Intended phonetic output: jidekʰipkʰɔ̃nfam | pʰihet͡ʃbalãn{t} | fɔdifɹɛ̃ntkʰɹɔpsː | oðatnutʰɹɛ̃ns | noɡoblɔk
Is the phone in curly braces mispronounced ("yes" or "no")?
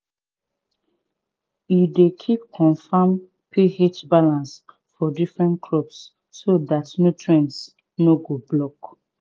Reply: yes